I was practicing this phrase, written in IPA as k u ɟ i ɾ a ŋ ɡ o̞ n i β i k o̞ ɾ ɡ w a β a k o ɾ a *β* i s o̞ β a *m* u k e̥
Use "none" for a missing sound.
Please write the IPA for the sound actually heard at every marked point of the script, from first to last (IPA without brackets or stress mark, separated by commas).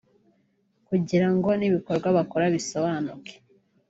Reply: β, n